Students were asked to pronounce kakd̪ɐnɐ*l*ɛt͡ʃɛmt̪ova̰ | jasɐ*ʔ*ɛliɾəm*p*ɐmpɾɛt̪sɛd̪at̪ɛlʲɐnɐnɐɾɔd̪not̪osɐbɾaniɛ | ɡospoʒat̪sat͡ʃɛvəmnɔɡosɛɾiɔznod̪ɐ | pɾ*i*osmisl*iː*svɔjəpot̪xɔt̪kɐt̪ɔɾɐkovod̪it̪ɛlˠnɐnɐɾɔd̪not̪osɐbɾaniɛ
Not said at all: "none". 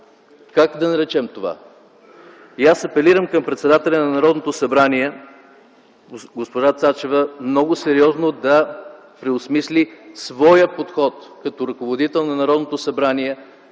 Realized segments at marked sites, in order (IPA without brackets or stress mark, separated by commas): ɾ, p, k, ɛ, i